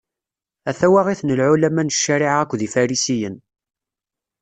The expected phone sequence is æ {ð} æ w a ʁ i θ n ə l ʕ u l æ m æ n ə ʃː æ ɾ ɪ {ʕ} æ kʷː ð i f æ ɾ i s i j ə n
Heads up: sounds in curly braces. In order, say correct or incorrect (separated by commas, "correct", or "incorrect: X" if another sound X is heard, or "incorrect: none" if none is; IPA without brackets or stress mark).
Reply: incorrect: θ, correct